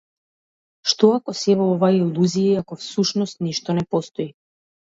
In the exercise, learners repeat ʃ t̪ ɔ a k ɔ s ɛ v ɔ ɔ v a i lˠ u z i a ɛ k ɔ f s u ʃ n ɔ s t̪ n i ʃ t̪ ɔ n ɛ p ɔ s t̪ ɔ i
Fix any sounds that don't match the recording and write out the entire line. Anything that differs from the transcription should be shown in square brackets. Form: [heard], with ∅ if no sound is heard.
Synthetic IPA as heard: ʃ t̪ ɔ a k ɔ s ɛ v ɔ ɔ v a i lˠ u z i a [a] k ɔ f s u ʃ n ɔ s t̪ n i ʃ t̪ ɔ n ɛ p ɔ s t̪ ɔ i

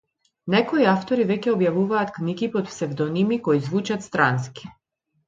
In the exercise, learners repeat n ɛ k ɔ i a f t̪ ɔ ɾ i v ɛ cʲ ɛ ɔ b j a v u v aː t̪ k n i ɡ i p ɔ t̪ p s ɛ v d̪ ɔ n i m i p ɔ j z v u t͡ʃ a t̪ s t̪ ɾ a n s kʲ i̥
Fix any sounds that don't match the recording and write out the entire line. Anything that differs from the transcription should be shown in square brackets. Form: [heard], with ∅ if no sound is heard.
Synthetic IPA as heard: n ɛ k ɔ i a f t̪ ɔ ɾ i v ɛ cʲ ɛ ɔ b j a v u v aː t̪ k n i ɡ i p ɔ t̪ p s ɛ v d̪ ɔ n i m i [k] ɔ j z v u t͡ʃ a t̪ s t̪ ɾ a n s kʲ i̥

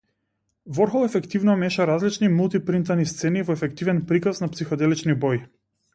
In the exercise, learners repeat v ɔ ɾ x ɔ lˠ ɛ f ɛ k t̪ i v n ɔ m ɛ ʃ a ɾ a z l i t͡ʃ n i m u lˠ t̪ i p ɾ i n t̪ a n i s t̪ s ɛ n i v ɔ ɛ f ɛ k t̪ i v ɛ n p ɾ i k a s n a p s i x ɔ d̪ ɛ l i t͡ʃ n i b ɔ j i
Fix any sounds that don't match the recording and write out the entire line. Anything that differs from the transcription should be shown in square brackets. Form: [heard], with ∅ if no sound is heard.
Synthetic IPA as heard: v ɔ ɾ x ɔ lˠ ɛ f ɛ k t̪ i v n ɔ m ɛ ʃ a ɾ a z l i t͡ʃ n i m u lˠ t̪ i p ɾ i n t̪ a n i s t̪ s ɛ n i v ɔ ɛ f ɛ k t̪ i v ɛ n p ɾ i k a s n a p s i x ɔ d̪ ɛ l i t͡ʃ n i b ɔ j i

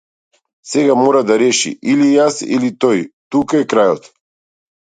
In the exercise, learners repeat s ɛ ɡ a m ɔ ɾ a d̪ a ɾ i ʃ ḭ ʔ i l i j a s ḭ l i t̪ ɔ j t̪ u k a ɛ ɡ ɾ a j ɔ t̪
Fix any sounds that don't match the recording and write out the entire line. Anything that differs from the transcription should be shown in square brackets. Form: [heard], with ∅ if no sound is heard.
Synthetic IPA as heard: s ɛ ɡ a m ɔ ɾ a d̪ a ɾ [ɛ] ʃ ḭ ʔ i l i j a s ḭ l i t̪ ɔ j t̪ u k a ɛ [k] ɾ a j ɔ t̪

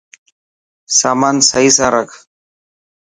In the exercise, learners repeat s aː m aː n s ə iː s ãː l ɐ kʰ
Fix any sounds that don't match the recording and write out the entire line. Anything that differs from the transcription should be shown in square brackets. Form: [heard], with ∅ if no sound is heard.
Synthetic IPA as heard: s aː m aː n s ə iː s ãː [ɾ] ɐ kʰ

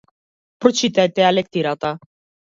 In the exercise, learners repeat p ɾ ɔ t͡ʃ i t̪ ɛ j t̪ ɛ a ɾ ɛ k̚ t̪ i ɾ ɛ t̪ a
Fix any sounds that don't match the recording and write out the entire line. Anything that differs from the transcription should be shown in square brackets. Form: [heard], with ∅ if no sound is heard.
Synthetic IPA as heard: p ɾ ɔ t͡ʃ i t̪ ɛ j t̪ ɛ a [l] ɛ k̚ t̪ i ɾ [a] t̪ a

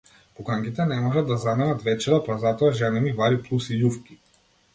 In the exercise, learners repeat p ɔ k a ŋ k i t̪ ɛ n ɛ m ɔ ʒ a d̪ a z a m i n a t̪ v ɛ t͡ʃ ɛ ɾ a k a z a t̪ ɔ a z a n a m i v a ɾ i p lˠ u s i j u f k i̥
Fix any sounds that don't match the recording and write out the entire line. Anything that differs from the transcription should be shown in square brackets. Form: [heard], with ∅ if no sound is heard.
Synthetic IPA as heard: p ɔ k a ŋ k i t̪ ɛ n ɛ m ɔ ʒ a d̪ a z a m [ɛ] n a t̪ v ɛ t͡ʃ ɛ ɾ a [p] a z a t̪ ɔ a [ʒ] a n [ɛ] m i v a ɾ i p lˠ u s i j u f k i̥

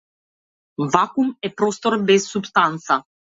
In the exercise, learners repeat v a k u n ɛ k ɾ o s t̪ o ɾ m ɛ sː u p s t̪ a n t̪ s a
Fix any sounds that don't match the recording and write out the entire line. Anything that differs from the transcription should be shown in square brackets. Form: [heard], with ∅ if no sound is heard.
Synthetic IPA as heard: v a k u [m] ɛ [p] ɾ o s t̪ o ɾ [b] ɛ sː u p s t̪ a n t̪ s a

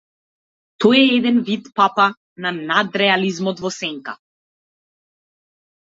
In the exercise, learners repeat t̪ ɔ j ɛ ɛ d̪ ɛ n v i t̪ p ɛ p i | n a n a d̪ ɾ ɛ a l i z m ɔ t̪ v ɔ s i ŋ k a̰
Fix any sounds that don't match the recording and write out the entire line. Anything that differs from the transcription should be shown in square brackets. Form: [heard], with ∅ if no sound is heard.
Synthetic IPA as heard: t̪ ɔ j ɛ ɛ d̪ ɛ n v i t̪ p [a] p [a] | n a n a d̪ ɾ ɛ a l i z m ɔ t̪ v ɔ s [ɛ] ŋ k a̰

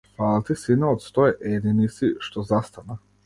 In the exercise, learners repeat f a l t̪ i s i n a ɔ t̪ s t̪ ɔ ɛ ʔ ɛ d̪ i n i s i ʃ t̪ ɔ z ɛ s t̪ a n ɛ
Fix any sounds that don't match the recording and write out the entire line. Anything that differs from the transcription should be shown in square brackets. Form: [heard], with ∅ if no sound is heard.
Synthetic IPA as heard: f a l t̪ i s i n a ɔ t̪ s t̪ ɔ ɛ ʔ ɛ d̪ i n i s i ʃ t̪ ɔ z [a] s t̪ a n [a]

